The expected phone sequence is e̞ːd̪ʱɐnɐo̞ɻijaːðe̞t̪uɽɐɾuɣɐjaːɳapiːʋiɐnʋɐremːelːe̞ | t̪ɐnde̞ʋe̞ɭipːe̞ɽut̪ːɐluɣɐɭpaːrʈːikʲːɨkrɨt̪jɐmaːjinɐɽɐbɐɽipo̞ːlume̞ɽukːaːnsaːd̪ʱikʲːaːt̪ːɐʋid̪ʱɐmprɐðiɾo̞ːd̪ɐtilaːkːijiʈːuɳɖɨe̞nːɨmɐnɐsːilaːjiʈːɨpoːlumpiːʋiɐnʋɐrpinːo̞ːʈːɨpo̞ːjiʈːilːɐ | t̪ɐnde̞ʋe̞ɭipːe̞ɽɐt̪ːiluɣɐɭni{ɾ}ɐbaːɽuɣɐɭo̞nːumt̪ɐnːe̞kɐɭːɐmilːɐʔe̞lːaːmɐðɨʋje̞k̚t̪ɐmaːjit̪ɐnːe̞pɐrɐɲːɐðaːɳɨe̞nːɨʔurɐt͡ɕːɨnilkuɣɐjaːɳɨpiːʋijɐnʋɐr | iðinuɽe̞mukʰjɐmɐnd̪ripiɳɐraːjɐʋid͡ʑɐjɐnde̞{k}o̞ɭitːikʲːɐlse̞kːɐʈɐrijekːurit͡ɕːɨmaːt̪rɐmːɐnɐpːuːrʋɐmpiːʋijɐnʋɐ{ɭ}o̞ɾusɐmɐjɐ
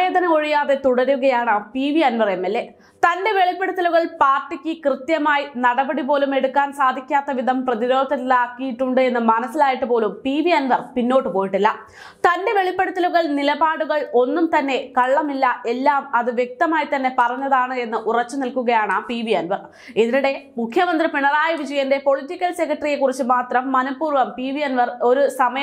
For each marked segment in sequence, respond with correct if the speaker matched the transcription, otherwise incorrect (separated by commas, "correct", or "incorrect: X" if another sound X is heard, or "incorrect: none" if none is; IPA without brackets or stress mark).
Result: incorrect: l, incorrect: p, incorrect: r